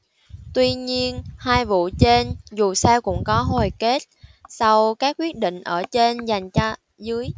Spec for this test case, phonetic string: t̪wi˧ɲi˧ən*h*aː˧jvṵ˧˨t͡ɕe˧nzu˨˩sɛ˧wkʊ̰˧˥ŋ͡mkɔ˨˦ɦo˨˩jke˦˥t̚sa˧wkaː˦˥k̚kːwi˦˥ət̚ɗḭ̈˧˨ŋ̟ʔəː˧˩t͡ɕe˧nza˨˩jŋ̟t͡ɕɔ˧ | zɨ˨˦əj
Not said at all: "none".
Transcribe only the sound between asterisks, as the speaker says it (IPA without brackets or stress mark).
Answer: h